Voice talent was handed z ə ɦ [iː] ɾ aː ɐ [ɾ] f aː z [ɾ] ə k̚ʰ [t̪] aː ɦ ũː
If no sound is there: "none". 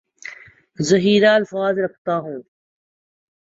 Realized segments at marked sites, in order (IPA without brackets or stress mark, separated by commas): iː, l, ɾ, t̪